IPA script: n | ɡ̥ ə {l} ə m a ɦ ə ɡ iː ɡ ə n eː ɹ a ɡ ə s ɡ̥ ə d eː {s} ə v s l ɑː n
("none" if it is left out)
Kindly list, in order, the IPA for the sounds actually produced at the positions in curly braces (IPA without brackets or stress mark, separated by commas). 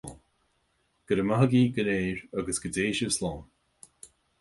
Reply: ɾ, ʃ